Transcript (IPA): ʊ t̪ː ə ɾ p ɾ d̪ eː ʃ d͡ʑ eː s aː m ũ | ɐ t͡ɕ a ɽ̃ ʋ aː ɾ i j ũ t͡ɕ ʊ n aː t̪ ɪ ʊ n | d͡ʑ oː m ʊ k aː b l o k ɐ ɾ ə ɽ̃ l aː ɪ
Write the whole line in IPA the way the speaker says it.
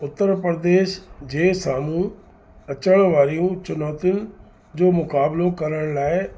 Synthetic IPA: ʊ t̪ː ə ɾ p ɾ d̪ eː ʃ d͡ʑ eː s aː m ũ | ɐ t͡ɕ ə ɽ̃ ʋ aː ɾ i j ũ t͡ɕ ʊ n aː t̪ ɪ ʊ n | d͡ʑ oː m ʊ k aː b l o k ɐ ɾ ə ɽ̃ l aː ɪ